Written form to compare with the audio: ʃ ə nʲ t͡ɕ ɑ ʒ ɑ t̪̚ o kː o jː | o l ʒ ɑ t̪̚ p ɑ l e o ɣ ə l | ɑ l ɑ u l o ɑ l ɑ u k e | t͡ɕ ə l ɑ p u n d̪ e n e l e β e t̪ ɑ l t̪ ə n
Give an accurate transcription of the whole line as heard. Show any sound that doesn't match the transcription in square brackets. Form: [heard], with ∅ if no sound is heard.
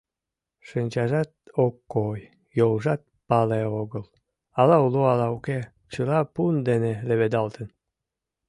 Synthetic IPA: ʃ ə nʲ t͡ɕ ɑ ʒ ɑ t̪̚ o kː o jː | o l ʒ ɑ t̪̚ p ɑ l e o ɣ ə l | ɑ l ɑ u l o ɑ l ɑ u k e | t͡ɕ ə l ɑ p u n d̪ e n e l e β e [d̪] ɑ l t̪ ə n